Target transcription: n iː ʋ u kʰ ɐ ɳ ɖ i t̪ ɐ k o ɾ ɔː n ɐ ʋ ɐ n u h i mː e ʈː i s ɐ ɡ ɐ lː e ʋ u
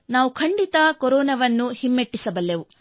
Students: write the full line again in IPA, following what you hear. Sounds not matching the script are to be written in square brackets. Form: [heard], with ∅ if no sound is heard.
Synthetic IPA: n [aː] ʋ u kʰ ɐ ɳ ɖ i t̪ ɐ k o ɾ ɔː n ɐ ʋ ɐ [nː] u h i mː e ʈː i s ɐ [b] ɐ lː e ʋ u